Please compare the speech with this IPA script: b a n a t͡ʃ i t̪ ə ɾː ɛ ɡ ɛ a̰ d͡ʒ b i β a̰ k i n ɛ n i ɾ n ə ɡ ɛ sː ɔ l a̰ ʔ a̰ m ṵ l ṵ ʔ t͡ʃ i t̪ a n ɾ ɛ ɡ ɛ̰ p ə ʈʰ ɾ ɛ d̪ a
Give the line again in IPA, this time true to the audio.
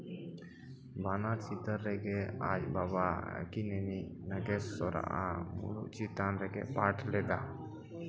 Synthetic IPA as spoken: b a n a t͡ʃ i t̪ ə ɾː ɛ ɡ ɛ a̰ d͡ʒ b a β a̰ k i n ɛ n i n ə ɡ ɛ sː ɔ ɾ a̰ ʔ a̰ m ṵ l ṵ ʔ t͡ʃ i t̪ a n ɾ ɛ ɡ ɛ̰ p a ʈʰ l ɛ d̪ a